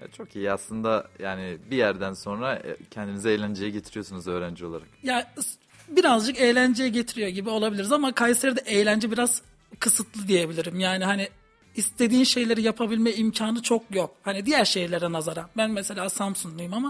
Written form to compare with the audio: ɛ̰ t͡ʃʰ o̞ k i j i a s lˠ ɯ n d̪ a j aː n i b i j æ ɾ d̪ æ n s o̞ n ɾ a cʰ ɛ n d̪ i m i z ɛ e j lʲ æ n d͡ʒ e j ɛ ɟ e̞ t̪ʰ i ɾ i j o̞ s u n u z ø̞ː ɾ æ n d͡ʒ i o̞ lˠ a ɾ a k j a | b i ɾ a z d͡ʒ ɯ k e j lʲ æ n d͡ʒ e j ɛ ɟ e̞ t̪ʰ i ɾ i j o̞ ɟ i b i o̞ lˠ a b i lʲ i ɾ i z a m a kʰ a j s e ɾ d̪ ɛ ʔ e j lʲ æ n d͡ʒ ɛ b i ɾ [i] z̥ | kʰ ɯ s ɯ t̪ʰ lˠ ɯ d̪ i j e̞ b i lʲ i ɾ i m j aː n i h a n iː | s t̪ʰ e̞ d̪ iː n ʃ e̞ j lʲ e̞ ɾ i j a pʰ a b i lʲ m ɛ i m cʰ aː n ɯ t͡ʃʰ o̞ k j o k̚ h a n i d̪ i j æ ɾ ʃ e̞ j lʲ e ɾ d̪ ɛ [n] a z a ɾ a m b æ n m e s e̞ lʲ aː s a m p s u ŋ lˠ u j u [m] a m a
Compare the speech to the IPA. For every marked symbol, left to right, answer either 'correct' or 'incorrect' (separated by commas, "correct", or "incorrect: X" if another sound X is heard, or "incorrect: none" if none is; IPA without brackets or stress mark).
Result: incorrect: a, correct, correct